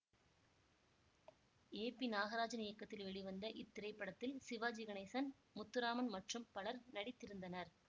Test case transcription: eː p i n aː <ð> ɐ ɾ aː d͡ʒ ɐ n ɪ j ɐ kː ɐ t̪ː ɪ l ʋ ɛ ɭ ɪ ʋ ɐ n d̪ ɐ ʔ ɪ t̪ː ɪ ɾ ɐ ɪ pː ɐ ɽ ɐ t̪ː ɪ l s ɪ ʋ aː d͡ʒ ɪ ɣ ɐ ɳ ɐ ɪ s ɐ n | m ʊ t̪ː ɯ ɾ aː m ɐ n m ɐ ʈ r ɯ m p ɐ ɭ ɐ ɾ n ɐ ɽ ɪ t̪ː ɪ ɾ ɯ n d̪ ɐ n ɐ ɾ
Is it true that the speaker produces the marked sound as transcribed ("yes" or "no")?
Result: no